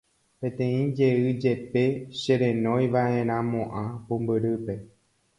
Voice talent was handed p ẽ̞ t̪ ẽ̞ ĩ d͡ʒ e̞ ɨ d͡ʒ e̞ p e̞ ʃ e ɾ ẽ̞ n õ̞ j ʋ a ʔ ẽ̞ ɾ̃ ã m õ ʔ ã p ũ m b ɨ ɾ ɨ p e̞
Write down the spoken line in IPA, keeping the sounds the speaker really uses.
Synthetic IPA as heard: p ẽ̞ t̪ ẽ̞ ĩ d͡ʒ e̞ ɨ d͡ʒ e̞ p e̞ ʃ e ɾ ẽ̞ n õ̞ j ʋ a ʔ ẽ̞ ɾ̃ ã m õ ʔ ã p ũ m b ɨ ɾ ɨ p e̞